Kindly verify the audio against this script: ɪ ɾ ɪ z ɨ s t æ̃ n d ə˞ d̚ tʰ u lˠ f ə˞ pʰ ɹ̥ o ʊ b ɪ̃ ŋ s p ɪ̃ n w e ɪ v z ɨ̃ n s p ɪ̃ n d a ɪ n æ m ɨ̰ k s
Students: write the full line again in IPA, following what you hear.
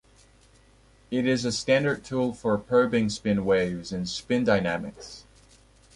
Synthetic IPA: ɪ ɾ ɪ z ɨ s t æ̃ n d ə˞ d̚ tʰ u lˠ f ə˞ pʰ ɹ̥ o ʊ b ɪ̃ ŋ s p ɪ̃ n w e ɪ v z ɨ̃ n s p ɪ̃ n d a ɪ n æ m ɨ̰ k s